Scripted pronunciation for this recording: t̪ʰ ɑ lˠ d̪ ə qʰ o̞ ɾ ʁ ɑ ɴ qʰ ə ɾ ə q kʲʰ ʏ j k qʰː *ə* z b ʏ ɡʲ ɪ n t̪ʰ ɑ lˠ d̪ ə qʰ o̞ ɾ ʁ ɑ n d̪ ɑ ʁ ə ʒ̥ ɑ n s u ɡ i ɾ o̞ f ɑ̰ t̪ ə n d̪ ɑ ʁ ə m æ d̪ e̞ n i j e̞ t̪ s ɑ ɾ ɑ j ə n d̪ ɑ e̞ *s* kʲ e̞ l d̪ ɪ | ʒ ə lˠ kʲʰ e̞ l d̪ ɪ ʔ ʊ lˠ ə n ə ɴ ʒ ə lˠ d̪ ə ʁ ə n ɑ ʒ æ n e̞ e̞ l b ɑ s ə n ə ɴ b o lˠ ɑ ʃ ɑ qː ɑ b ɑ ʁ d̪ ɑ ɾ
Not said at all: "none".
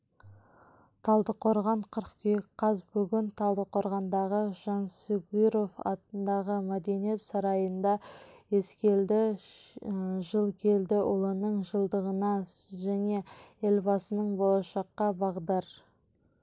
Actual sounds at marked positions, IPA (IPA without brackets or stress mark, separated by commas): ɑ, s